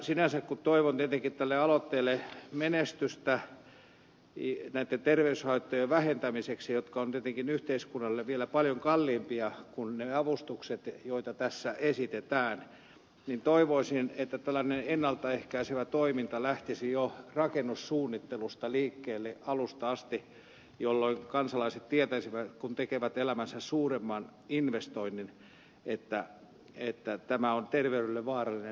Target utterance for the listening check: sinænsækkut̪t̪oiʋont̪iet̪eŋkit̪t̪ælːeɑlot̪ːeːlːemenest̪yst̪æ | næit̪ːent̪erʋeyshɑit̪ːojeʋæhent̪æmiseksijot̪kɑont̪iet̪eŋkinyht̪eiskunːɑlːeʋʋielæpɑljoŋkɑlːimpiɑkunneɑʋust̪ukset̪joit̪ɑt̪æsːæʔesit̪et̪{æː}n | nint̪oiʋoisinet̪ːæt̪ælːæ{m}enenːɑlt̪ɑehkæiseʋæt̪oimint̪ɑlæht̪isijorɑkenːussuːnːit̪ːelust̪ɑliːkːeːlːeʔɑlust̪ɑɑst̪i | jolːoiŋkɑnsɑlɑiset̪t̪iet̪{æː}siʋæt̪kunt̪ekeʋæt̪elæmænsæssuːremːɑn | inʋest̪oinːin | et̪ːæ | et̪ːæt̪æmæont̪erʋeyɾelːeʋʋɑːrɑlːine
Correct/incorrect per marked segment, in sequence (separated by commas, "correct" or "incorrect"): correct, incorrect, incorrect